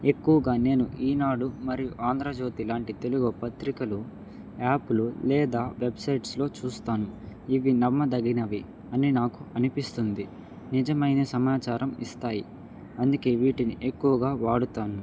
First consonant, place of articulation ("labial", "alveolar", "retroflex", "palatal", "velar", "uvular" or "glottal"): velar